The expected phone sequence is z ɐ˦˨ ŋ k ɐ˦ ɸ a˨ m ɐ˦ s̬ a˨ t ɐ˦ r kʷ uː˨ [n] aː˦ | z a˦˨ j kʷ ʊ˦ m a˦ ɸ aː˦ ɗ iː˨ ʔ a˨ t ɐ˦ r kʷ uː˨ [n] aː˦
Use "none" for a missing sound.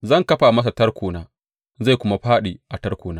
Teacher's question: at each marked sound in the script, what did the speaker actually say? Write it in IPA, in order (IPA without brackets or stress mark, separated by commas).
n, n